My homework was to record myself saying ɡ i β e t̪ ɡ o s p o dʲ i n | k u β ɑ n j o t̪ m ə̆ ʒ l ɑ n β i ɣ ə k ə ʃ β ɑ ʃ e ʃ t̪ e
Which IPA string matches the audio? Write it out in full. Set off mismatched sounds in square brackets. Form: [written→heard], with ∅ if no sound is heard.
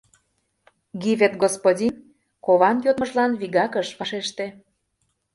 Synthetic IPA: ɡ i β e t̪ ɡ o s p o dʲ i n | k [u→o] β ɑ n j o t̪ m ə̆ ʒ l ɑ n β i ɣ [ə→ɑ] k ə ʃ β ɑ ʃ e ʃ t̪ e